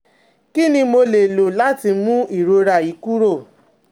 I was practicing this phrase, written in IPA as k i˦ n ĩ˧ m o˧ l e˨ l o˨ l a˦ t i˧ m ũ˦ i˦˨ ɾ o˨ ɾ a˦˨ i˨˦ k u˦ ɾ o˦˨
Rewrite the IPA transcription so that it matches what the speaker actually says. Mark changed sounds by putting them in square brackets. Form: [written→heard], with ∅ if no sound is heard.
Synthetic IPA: k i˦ n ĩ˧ m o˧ l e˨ l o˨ l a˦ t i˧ m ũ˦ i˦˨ ɾ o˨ ɾ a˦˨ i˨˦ k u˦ ɾ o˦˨